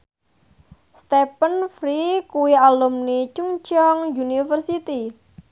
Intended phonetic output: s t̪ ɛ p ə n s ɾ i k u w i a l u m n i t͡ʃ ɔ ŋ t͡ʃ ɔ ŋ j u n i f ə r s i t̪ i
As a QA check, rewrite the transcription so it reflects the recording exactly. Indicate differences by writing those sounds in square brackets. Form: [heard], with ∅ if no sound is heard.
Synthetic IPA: s t̪ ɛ p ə n [f] ɾ i k u w i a l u m n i t͡ʃ [u] ŋ t͡ʃ ɔ ŋ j u n i f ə r s i t̪ i

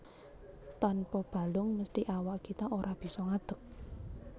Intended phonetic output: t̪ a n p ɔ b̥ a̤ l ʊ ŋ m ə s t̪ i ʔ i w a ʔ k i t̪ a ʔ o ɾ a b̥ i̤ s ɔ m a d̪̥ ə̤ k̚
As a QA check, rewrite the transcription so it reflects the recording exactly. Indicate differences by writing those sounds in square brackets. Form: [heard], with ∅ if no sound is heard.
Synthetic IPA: t̪ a n p ɔ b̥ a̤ l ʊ ŋ m ə s t̪ i ʔ [a] w a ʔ k i t̪ a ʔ o ɾ a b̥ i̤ s ɔ [ŋ] a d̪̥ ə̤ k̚

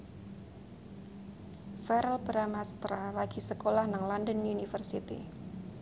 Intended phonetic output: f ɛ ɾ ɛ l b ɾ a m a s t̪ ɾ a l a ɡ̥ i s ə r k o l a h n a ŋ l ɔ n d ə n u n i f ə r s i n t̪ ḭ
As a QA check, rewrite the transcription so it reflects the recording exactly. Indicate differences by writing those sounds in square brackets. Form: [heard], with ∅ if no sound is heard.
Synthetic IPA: f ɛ ɾ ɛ l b ɾ a m a s t̪ ɾ a l a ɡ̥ i s ə [∅] k o l a h n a ŋ l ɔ n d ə n u n i f ə r s i [∅] t̪ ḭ

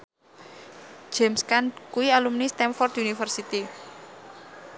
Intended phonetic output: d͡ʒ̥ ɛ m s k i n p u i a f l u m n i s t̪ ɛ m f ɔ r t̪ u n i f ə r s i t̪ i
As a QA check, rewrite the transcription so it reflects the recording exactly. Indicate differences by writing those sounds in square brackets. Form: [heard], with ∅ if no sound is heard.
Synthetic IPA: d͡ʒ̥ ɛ m s k [a] n [k] u i a [∅] l u m n i s t̪ ɛ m f ɔ r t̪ u n i f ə r s i t̪ i

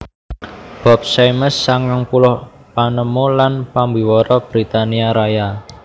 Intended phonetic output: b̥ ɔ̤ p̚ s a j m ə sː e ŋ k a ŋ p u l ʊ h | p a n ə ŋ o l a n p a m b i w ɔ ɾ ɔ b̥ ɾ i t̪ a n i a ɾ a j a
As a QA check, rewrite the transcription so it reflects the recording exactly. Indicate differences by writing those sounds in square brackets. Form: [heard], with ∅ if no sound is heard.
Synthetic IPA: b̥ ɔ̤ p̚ s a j m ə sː [a] ŋ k a ŋ p u l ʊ h | p a n ə [m] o l a n p a m b i w ɔ ɾ ɔ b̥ ɾ i t̪ a n i a ɾ a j a

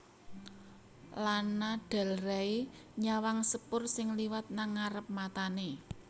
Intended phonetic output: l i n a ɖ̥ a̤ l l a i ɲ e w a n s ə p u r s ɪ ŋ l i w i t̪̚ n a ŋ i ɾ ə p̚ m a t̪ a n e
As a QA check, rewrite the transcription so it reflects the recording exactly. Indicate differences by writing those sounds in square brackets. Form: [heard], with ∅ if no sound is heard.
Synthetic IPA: l [a] n a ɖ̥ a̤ l [r] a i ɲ [a] w a [ŋ] s ə p [ʊ] r s ɪ ŋ l i w [a] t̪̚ n a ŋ [a] ɾ ə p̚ m a t̪ a n e

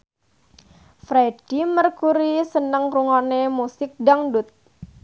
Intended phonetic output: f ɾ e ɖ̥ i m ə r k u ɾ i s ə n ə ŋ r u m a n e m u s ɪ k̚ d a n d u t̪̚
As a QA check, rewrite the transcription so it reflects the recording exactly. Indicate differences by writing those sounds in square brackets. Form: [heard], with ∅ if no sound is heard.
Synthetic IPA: f ɾ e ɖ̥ i m ə r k u ɾ i s ə n ə ŋ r u [ŋ] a n e m u s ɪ k̚ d a [ŋ] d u t̪̚

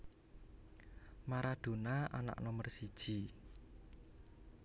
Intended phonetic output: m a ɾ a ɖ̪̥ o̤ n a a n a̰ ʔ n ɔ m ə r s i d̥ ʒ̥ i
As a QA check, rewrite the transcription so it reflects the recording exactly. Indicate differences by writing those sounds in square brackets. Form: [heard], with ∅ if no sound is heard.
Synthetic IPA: m a ɾ a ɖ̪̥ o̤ n a a n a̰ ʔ n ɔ m ə r s i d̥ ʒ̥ i

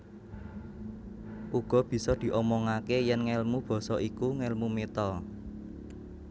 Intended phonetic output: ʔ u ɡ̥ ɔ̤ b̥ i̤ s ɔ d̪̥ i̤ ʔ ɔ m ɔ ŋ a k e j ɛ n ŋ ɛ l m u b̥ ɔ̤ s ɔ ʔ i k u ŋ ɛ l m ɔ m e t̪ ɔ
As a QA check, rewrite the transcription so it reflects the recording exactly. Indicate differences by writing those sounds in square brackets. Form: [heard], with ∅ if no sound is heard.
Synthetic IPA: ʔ u ɡ̥ ɔ̤ b̥ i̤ s ɔ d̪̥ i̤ ʔ ɔ m ɔ ŋ a k e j ɛ n ŋ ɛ l m u b̥ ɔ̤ s ɔ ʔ i k u ŋ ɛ l m [u] m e t̪ ɔ

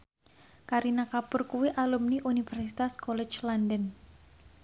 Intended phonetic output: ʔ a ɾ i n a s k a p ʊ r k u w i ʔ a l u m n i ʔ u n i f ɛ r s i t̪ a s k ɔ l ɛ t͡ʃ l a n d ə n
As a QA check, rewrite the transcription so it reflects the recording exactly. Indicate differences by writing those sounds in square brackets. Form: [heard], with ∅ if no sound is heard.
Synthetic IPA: [k] a ɾ i n a [∅] k a p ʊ r k u w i ʔ a l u m n i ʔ u n i f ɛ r s i t̪ a s k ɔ l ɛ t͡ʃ l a n d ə n

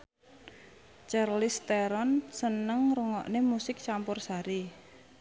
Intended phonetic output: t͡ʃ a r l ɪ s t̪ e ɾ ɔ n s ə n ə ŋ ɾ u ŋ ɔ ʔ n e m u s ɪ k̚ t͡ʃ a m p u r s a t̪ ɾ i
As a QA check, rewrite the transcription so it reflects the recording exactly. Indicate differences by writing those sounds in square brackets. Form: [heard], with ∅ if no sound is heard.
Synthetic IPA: t͡ʃ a r l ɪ s t̪ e ɾ ɔ n s ə n ə ŋ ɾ u ŋ ɔ ʔ n e m u s ɪ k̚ t͡ʃ a m p [ʊ] r s a [∅] ɾ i

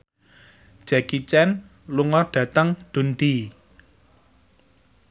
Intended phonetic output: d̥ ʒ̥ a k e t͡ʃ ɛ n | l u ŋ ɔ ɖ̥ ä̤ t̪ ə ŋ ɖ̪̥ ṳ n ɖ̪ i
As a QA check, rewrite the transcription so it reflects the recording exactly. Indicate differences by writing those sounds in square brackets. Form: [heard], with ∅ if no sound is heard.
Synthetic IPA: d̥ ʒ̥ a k [i] t͡ʃ ɛ n | l u ŋ ɔ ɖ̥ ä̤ t̪ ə ŋ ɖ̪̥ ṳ n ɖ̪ i

